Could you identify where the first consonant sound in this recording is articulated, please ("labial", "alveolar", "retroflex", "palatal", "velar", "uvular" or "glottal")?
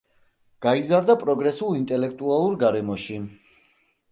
velar